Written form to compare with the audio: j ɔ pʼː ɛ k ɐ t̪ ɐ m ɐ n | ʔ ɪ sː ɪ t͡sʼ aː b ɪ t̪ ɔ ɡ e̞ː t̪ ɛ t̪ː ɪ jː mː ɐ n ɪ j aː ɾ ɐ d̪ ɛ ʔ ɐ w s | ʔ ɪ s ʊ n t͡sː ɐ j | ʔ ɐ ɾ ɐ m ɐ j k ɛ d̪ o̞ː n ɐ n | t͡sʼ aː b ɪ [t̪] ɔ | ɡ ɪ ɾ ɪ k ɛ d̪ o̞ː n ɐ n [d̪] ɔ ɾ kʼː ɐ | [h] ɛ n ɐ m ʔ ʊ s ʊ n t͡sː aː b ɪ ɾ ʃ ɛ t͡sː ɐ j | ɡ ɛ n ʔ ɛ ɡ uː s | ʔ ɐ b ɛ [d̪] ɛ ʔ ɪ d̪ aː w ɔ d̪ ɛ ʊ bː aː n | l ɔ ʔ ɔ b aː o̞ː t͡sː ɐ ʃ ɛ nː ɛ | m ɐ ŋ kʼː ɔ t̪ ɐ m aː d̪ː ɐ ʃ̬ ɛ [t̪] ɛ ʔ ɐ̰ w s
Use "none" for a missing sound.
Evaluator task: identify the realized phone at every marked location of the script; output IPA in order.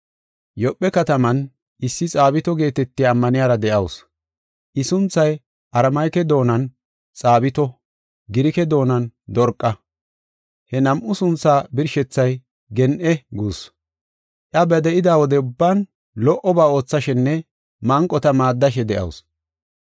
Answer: t̪, d̪, h, d̪, d̪

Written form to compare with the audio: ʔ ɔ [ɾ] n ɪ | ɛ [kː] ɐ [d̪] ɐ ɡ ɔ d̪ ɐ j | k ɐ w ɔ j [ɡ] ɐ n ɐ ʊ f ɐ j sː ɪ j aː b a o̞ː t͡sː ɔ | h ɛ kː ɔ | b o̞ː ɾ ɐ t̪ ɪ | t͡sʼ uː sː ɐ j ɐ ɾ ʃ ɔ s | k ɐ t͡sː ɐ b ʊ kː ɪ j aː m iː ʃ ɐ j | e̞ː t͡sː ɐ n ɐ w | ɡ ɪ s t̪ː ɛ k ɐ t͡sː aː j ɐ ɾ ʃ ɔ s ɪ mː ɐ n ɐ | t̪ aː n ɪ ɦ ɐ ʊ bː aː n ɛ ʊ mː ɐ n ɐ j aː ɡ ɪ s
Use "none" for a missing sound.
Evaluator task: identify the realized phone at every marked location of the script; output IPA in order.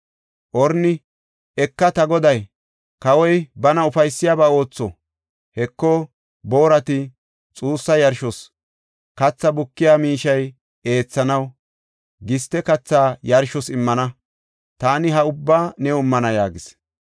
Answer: ɾ, kː, t̪, b

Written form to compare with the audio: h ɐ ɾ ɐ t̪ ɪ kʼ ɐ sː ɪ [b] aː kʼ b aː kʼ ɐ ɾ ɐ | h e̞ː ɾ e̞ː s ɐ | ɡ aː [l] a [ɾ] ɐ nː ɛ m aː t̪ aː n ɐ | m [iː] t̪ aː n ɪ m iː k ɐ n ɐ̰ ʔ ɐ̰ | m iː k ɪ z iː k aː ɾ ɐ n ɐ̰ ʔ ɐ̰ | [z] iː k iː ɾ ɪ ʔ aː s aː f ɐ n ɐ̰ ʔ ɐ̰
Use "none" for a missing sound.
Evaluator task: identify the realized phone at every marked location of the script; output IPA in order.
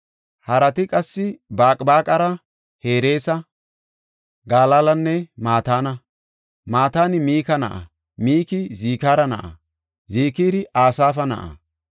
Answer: b, l, l, aː, z

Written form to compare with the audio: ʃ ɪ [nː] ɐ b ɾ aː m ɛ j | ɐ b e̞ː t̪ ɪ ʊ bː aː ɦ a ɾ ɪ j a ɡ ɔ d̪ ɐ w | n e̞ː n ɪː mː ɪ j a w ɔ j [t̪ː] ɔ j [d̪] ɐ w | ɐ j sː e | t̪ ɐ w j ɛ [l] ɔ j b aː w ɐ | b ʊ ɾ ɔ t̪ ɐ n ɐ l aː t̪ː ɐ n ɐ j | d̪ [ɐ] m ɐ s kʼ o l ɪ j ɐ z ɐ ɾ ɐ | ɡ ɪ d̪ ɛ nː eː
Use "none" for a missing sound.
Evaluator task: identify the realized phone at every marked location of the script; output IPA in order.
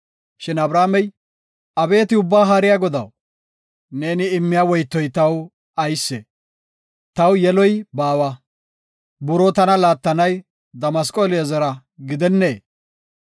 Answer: n, t̪ː, t̪, l, ɐ

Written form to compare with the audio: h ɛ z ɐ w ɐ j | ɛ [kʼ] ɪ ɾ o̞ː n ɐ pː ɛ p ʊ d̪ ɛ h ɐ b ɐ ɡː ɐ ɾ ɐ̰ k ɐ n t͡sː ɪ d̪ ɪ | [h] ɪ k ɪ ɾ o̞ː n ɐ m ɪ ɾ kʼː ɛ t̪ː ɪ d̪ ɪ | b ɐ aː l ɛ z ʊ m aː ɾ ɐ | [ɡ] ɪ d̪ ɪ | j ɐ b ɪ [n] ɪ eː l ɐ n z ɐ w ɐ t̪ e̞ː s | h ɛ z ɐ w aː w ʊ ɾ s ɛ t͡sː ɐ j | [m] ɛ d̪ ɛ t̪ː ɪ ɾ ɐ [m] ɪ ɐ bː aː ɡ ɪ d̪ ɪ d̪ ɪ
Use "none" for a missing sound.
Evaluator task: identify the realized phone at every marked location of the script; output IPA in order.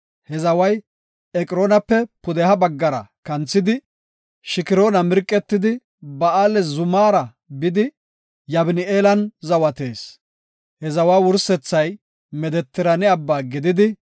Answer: kʼ, ʃ, b, n, m, n

